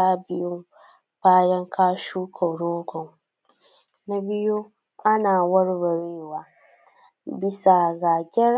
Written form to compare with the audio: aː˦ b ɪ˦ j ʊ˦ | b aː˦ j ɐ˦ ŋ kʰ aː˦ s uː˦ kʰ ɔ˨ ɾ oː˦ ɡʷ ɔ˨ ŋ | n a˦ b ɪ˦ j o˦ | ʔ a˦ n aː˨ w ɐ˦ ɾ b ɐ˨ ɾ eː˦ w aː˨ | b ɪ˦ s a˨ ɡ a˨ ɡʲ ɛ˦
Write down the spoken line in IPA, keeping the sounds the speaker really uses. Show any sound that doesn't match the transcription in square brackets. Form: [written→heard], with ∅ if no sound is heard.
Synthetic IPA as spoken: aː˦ b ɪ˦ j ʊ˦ | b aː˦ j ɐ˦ ŋ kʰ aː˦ [s→ʃ] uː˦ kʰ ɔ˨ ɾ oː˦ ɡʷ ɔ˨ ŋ | n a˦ b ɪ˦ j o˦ | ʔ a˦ n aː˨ w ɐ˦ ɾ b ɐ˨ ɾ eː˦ w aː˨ | b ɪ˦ s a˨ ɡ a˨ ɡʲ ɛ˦